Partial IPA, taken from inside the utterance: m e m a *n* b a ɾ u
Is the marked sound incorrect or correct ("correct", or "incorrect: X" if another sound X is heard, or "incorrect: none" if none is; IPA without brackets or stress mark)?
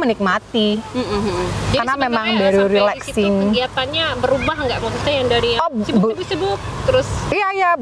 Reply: incorrect: ŋ